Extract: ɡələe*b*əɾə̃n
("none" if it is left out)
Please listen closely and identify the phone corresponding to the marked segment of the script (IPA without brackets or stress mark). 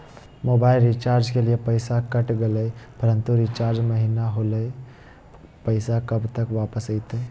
p